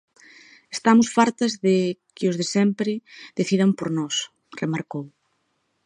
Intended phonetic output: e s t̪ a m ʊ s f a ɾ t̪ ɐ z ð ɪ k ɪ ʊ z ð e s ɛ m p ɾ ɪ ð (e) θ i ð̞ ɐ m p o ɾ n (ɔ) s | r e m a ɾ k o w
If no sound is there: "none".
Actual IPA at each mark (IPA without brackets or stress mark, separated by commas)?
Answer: e, ɔ